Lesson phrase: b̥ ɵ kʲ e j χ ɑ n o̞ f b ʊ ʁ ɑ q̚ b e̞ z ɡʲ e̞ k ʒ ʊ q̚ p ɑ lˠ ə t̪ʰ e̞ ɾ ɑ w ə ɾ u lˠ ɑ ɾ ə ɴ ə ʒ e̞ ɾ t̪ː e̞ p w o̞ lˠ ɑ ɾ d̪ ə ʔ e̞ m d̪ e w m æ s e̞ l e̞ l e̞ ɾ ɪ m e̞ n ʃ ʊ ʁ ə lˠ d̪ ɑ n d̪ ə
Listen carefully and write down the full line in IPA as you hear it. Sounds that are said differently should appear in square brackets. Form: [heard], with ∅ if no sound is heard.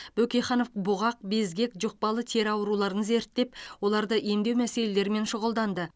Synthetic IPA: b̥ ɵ kʲ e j χ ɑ n o̞ f b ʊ ʁ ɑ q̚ b e̞ z ɡʲ e̞ k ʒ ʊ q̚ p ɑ lˠ ə t̪ʰ e̞ ɾ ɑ w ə ɾ u lˠ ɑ ɾ ə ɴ ə [z] e̞ ɾ t̪ː e̞ p w o̞ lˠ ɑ ɾ d̪ ə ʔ e̞ m d̪ e w m æ s e̞ l e̞ l e̞ ɾ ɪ m e̞ n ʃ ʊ ʁ ə lˠ d̪ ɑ n d̪ ə